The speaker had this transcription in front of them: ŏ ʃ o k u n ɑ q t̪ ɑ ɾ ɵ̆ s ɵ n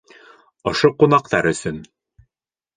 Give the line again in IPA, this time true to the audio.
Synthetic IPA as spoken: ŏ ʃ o q u n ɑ q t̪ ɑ ɾ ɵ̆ s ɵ n